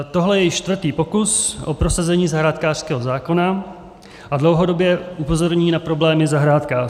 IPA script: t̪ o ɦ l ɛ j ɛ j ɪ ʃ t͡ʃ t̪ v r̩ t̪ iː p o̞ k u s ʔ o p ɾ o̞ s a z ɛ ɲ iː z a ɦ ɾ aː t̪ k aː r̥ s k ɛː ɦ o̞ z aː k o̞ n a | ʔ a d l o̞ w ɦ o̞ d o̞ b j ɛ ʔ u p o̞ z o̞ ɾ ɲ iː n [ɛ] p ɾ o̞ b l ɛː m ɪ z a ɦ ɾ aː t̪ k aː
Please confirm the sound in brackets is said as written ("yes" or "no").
no